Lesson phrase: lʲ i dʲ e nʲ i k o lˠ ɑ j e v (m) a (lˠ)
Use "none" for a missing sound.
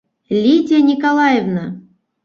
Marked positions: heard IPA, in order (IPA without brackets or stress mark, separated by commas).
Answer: n, none